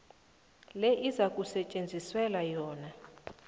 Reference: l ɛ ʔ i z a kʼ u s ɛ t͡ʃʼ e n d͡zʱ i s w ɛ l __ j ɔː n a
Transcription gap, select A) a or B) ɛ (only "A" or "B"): A